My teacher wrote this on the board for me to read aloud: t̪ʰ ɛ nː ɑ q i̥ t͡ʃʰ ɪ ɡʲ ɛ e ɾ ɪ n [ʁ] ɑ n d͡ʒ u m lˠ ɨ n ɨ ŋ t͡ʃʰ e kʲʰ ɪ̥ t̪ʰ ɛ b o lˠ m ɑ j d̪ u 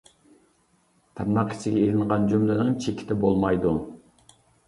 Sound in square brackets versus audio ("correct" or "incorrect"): correct